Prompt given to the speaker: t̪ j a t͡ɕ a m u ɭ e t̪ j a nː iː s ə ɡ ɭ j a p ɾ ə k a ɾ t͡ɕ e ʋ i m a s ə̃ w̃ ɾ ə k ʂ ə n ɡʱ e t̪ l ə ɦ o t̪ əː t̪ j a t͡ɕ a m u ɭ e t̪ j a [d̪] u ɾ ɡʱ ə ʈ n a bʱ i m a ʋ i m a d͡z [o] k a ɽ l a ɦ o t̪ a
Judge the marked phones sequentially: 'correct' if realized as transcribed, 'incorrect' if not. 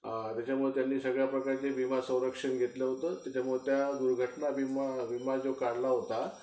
correct, correct

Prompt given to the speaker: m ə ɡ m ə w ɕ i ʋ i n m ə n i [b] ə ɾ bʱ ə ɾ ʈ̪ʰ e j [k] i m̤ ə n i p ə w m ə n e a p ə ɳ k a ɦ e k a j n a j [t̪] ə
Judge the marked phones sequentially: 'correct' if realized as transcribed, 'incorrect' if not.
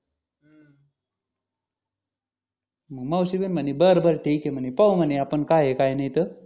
correct, correct, correct

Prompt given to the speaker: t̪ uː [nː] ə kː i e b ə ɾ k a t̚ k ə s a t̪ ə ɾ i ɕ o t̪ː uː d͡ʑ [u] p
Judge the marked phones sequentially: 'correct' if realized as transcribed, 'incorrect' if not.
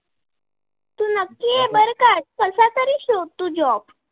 incorrect, incorrect

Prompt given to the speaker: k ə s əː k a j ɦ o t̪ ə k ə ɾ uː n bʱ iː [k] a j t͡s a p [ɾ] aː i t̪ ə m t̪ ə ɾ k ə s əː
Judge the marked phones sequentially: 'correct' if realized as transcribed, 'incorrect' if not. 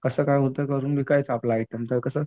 correct, incorrect

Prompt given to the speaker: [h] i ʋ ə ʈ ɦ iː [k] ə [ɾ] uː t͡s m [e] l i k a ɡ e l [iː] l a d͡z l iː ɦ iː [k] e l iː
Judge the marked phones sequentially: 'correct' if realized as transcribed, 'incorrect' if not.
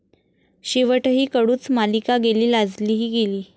incorrect, correct, incorrect, incorrect, correct, incorrect

